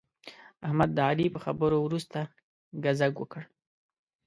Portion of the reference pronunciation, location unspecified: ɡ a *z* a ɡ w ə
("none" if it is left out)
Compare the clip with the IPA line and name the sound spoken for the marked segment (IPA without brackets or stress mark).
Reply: z